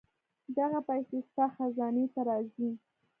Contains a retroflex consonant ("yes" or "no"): no